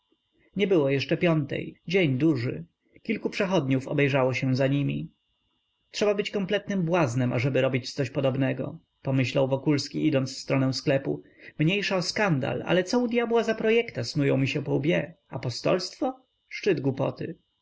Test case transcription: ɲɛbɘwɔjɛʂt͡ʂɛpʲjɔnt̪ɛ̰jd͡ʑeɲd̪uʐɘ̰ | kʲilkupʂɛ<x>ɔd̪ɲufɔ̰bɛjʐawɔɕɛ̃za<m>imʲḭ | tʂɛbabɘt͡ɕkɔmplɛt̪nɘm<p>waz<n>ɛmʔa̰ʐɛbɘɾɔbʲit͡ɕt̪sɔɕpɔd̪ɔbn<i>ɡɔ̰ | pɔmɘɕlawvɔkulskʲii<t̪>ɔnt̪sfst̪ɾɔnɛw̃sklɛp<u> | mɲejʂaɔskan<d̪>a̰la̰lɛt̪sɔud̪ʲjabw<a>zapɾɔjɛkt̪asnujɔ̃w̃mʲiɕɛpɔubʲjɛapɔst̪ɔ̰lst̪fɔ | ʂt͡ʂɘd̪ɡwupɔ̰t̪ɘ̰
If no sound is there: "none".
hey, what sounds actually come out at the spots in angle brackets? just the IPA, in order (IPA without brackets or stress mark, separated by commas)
x, ɲ, b, n, ɛ, d̪, u, d̪, a